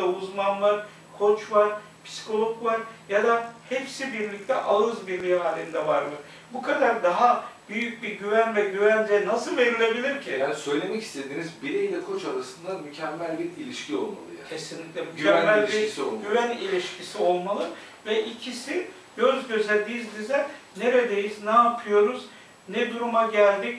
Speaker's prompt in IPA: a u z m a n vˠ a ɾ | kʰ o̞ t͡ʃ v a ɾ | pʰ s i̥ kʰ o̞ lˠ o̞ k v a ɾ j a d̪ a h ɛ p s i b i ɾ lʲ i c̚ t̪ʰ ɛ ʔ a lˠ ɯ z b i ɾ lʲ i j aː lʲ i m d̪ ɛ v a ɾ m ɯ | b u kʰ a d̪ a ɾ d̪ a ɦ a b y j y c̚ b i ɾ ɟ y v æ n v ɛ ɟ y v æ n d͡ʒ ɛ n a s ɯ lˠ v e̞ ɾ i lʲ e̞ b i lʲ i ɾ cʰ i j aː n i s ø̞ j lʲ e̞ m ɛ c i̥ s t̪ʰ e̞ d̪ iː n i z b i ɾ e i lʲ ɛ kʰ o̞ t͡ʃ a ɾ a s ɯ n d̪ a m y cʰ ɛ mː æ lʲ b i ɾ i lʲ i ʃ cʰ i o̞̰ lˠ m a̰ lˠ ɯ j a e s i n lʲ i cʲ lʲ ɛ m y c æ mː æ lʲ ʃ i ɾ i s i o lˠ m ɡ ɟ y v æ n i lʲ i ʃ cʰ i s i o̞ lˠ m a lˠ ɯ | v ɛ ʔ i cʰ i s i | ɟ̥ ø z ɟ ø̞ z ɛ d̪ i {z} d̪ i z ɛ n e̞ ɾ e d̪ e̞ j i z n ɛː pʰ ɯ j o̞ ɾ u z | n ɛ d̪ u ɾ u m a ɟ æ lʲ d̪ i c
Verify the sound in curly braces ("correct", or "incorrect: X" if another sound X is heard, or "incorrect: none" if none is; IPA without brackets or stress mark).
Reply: correct